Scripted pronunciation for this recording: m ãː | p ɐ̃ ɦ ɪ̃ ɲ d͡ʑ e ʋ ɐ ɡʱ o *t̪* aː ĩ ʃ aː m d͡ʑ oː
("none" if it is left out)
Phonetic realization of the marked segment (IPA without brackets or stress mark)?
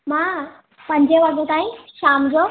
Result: t̪